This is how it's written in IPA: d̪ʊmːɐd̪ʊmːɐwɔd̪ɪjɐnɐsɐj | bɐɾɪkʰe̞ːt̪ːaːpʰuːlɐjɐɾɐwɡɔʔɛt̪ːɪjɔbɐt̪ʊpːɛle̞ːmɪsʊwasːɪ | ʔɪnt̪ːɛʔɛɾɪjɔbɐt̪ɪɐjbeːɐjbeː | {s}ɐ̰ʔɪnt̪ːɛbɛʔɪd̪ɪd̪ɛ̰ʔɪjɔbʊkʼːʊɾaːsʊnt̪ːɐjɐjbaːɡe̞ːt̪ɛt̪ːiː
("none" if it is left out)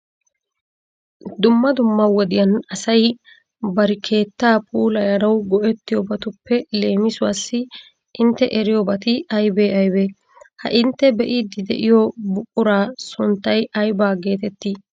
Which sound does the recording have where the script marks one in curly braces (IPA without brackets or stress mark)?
h